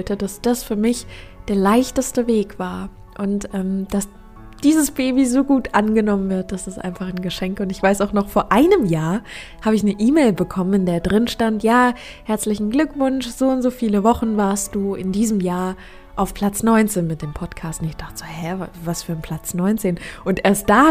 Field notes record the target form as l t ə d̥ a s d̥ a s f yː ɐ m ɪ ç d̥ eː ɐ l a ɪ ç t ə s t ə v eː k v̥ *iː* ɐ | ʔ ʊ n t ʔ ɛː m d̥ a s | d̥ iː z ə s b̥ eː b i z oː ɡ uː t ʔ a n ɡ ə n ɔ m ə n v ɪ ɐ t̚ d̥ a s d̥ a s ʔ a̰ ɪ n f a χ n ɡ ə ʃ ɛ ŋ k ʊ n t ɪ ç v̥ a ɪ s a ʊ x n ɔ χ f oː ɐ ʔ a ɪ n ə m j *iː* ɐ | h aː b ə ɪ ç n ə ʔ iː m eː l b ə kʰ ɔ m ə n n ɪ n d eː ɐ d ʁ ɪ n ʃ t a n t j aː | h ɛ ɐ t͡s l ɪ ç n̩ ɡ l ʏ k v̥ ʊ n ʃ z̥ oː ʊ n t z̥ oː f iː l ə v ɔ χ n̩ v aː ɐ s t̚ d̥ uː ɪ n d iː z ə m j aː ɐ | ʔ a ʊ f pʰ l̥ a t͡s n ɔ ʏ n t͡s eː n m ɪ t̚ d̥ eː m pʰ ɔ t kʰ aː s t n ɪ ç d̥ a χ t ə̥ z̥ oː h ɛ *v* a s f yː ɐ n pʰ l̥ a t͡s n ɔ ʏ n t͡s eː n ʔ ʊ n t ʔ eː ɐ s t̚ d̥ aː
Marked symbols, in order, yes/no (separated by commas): no, no, yes